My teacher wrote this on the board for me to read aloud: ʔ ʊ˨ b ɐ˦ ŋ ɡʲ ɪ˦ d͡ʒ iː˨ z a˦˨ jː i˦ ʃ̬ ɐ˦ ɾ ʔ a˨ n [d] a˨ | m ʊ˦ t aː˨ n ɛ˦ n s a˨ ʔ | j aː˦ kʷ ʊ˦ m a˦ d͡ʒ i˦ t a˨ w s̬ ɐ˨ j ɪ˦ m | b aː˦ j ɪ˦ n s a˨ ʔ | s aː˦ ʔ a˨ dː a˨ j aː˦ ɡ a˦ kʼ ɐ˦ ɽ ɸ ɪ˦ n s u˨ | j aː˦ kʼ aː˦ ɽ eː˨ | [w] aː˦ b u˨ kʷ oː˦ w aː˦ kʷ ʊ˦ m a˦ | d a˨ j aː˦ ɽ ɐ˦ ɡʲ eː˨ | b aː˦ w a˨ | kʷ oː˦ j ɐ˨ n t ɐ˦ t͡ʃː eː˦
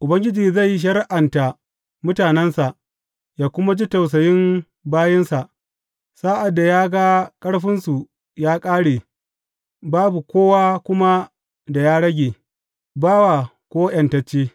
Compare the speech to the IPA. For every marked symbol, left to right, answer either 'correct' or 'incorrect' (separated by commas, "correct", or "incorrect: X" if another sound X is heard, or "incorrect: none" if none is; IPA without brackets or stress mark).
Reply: incorrect: t, incorrect: b